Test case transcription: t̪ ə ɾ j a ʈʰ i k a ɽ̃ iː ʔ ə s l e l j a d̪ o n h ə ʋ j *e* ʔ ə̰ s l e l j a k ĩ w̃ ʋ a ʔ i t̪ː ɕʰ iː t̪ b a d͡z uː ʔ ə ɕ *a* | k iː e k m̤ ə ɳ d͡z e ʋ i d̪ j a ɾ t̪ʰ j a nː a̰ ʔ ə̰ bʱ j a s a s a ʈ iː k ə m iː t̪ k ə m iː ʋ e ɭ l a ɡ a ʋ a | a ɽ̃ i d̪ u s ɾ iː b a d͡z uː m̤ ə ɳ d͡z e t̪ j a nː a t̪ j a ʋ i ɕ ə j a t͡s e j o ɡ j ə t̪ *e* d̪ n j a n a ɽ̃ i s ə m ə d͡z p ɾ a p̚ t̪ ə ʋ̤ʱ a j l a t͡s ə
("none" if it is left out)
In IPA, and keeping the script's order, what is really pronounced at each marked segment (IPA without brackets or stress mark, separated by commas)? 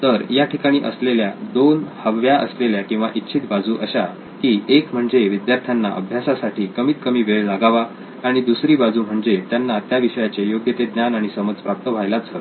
a, a, e